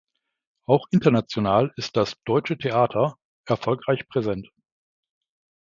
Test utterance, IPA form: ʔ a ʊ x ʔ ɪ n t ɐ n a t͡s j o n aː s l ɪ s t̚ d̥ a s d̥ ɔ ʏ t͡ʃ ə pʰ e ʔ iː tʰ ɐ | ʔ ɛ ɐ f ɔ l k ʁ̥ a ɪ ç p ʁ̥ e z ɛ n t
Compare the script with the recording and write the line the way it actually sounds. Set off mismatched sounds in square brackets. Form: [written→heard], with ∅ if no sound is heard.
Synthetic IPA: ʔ a ʊ x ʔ ɪ n t ɐ n a t͡s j o n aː [s→∅] l ɪ s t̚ d̥ a s d̥ ɔ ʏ t͡ʃ ə [pʰ→tʰ] e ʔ [iː→aː] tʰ ɐ | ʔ ɛ ɐ f ɔ l k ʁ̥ a ɪ ç p ʁ̥ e z ɛ n t